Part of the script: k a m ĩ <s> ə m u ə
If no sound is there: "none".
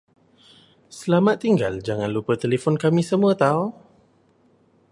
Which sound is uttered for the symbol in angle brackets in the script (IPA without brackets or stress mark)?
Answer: s